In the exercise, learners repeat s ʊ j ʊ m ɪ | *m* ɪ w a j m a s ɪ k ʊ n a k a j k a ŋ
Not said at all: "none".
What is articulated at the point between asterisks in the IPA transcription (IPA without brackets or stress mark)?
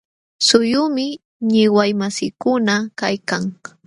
ɲ